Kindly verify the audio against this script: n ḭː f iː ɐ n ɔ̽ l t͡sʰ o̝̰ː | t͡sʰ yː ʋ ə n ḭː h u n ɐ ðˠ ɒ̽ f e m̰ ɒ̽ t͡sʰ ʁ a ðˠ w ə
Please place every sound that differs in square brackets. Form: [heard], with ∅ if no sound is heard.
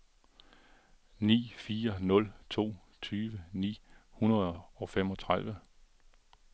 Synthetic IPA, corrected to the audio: n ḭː f iː ɐ n ɔ̽ l t͡sʰ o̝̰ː | t͡sʰ yː ʋ ə n ḭː h u n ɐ ðˠ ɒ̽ f e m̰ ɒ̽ t͡sʰ ʁ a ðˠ [ʋ] ə